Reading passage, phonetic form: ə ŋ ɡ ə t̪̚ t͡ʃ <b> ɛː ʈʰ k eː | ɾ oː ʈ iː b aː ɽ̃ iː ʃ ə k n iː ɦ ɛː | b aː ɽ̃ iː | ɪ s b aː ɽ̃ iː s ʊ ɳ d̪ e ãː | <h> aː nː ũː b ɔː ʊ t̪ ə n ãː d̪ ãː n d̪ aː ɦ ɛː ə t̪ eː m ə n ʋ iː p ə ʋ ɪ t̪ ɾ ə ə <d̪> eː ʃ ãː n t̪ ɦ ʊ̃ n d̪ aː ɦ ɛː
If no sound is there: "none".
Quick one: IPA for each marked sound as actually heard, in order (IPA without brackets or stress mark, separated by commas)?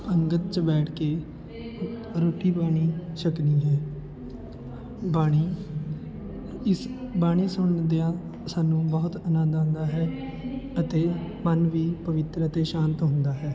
b, s, t̪